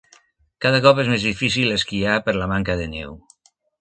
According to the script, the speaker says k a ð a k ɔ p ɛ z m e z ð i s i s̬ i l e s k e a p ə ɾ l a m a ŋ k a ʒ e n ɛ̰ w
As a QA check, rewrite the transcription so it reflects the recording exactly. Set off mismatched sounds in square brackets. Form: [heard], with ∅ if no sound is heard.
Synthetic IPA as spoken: k a ð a k ɔ p [e] z m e z ð i [f] i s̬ i l e s k [i] a p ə ɾ l a m a ŋ k a [ð] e n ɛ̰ w